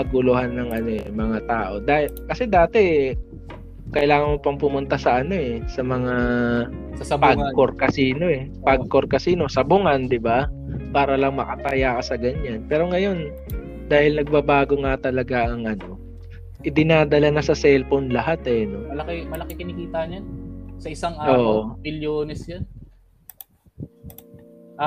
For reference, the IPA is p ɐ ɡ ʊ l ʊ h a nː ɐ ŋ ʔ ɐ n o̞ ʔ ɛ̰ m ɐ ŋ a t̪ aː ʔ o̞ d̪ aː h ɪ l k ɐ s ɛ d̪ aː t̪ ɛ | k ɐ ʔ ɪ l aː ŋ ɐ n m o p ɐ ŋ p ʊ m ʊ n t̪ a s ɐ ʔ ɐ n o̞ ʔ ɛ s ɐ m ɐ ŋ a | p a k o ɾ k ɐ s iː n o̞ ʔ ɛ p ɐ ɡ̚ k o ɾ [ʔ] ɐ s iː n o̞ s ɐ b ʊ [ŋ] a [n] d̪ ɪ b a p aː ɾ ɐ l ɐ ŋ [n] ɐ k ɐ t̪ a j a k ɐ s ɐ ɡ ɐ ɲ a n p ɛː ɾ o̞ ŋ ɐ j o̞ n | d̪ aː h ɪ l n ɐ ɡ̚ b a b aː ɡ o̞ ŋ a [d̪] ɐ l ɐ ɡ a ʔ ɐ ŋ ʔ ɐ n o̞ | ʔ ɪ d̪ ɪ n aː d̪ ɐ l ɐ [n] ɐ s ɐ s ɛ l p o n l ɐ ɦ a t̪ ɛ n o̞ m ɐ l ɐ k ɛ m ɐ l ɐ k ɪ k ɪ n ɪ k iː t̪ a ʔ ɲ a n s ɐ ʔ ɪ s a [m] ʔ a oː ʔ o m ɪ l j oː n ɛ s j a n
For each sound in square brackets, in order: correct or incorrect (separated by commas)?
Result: incorrect, correct, correct, incorrect, incorrect, correct, incorrect